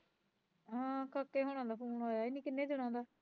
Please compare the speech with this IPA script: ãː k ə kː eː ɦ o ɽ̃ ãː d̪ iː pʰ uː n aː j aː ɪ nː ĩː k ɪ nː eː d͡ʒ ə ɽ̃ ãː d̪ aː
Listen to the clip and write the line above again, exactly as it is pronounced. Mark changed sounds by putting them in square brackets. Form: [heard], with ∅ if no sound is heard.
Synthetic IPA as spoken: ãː k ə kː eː ɦ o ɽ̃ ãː d̪ [aː] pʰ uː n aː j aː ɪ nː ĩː k ɪ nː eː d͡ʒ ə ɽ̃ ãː d̪ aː

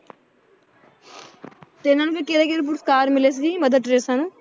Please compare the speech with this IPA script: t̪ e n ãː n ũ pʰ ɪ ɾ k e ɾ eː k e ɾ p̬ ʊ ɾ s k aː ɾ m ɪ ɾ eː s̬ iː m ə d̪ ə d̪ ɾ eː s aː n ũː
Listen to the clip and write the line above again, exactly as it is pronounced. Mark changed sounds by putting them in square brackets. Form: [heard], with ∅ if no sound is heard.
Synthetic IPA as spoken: t̪ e n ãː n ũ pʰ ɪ ɾ k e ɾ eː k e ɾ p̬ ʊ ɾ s k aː ɾ m ɪ [l] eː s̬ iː m ə d̪ ə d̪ ɾ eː s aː n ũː

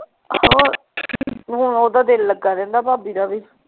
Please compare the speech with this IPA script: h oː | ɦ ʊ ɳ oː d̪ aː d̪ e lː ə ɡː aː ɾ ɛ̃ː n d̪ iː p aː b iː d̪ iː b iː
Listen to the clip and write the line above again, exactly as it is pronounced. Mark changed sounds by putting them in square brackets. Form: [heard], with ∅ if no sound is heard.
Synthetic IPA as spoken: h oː | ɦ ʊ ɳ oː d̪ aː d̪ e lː ə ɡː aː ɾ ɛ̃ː n d̪ [aː] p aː b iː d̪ [aː] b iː

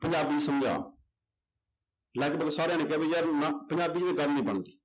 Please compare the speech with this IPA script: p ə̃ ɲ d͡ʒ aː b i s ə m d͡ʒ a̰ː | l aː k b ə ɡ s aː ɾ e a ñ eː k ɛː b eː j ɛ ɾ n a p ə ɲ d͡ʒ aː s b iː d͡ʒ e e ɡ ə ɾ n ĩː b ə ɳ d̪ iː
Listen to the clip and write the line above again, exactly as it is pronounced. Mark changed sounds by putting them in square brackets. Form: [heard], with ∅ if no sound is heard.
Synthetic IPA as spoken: p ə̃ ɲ d͡ʒ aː b i s ə m d͡ʒ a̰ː | l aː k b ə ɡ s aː ɾ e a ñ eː k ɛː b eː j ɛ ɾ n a p ə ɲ d͡ʒ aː [∅] b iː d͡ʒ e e ɡ ə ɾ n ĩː b ə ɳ d̪ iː

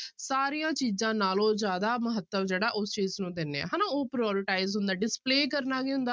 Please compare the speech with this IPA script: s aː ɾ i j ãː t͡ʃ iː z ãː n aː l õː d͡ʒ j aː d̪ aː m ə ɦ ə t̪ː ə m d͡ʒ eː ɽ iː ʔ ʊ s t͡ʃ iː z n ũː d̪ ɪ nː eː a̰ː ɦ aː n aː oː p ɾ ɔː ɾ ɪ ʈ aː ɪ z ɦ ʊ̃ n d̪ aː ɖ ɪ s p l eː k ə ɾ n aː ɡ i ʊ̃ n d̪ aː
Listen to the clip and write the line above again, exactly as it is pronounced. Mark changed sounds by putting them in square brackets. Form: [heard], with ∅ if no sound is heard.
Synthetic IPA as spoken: s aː ɾ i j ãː t͡ʃ iː z ãː n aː l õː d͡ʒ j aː d̪ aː m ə ɦ ə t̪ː ə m d͡ʒ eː ɽ [aː] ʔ ʊ s t͡ʃ iː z n ũː d̪ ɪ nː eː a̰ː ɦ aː n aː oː p ɾ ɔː ɾ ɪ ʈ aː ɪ z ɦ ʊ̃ n d̪ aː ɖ ɪ s p l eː k ə ɾ n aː ɡ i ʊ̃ n d̪ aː

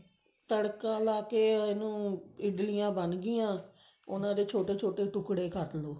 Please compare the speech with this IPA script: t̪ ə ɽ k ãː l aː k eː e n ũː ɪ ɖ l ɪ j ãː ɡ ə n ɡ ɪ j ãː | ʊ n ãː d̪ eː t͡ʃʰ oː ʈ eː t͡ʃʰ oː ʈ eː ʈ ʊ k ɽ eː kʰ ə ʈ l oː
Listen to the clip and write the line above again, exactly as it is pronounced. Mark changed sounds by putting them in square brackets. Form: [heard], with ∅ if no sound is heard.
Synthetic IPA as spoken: t̪ ə ɽ k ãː l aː k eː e n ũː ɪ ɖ l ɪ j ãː [b] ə n ɡ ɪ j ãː | ʊ n ãː d̪ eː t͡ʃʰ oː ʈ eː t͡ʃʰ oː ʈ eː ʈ ʊ k ɽ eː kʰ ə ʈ l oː

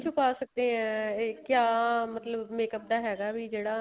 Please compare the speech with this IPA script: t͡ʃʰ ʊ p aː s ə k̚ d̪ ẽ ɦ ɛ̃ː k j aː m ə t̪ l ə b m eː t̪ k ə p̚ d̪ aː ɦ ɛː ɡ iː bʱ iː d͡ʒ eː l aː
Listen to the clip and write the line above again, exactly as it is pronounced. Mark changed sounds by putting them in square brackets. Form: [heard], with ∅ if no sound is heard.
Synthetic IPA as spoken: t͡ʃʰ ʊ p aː s ə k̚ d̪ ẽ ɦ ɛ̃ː k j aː m ə t̪ l ə b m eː [∅] k ə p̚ d̪ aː ɦ ɛː ɡ [aː] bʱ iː d͡ʒ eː [ɽ] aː

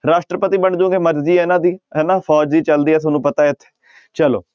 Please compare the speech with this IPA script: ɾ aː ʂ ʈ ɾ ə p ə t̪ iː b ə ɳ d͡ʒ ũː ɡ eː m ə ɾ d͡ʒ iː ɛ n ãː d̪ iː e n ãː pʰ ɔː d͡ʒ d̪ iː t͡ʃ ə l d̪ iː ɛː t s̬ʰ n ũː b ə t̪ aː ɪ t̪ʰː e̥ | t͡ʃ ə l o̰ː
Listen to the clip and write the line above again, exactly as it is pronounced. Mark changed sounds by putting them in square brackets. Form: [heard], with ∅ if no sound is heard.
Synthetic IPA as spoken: ɾ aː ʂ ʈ ɾ ə p ə t̪ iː b ə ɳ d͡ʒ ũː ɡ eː m ə ɾ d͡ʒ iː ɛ n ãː d̪ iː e n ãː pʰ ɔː d͡ʒ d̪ iː t͡ʃ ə l d̪ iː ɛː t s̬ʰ n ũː [p] ə t̪ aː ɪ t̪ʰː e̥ | t͡ʃ ə l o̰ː

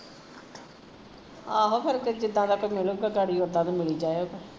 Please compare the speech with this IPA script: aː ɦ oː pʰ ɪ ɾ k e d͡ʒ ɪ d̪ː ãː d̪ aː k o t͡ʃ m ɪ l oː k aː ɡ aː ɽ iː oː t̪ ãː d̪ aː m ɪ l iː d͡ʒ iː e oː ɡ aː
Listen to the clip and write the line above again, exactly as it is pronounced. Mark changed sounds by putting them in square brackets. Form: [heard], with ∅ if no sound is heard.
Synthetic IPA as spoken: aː ɦ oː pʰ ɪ ɾ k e d͡ʒ ɪ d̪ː ãː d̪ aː k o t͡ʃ m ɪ l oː [ɡ] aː ɡ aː ɽ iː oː [d̪] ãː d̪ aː m ɪ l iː d͡ʒ [aː] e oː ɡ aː

